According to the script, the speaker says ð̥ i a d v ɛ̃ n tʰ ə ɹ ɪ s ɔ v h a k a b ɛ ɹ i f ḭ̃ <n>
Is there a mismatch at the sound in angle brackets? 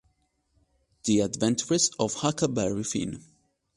no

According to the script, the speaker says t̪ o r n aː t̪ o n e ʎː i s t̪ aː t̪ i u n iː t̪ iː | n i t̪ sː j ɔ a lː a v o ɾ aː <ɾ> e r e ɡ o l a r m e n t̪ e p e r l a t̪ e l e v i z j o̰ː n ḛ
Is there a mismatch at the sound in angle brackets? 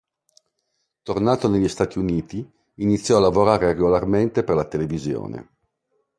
no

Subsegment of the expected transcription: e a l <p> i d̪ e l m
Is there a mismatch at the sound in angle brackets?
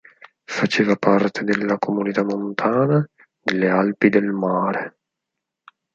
no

